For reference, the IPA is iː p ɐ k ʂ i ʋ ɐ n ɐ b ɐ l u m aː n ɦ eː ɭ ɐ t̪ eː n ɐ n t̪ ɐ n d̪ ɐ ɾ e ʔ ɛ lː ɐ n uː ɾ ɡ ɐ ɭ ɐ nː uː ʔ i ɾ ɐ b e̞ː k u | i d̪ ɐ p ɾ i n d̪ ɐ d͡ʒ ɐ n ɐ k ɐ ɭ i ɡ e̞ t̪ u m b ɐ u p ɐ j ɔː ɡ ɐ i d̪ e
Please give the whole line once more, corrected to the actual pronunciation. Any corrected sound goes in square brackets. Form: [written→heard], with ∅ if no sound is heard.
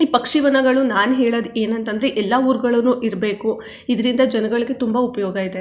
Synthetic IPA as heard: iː p ɐ k ʂ i ʋ ɐ n ɐ [b→ɡ] ɐ [l→ɭ] u [m→n] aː n ɦ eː ɭ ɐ [t̪→d̪] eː n ɐ n t̪ ɐ n d̪ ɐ ɾ e ʔ ɛ lː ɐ [n→∅] uː ɾ ɡ ɐ ɭ ɐ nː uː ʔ i ɾ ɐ b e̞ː k u | i d̪ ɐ [p→∅] ɾ i n d̪ ɐ d͡ʒ ɐ n ɐ [k→ɡ] ɐ ɭ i ɡ e̞ t̪ u m b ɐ u p ɐ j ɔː ɡ ɐ i d̪ e

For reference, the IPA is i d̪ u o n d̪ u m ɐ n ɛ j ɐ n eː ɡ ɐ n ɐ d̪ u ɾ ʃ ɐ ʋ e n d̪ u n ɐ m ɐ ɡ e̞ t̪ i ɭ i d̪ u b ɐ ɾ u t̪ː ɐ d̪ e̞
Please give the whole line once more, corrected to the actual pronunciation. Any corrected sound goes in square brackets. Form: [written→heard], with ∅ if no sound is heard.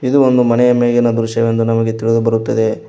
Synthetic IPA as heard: i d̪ u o n d̪ u m ɐ n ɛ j ɐ [n→m] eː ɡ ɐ n ɐ d̪ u ɾ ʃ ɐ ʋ e n d̪ u n ɐ m ɐ ɡ e̞ t̪ i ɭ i d̪ u b ɐ ɾ u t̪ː ɐ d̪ e̞

